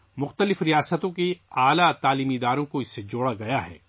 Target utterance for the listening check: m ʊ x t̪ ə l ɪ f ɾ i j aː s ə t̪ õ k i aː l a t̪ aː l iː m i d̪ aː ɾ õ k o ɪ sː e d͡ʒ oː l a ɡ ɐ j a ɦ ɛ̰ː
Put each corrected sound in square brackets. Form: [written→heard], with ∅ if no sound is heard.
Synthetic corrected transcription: m ʊ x t̪ ə l ɪ f ɾ i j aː s ə t̪ õ k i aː l a t̪ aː l iː m i d̪ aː ɾ õ k o ɪ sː e d͡ʒ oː [l→ɽ] a ɡ ɐ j a ɦ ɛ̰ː